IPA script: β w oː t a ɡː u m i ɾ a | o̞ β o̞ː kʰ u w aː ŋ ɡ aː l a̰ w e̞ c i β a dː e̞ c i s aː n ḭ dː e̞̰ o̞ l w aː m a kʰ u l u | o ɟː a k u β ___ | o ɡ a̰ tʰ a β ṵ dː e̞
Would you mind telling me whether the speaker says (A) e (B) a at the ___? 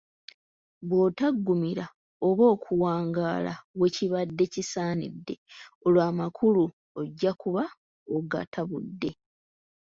B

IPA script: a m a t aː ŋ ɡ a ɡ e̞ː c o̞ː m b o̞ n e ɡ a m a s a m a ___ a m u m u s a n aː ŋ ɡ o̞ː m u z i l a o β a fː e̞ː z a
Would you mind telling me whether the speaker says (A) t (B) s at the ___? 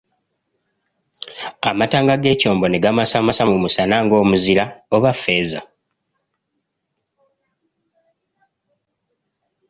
B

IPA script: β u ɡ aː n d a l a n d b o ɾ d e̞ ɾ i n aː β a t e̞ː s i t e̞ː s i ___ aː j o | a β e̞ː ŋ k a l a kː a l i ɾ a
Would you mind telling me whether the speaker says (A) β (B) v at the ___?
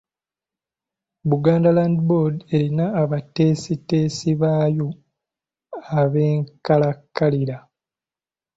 A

